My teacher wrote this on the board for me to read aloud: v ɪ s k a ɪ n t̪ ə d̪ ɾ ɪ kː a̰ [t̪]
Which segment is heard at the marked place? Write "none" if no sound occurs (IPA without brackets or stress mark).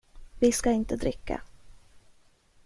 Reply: none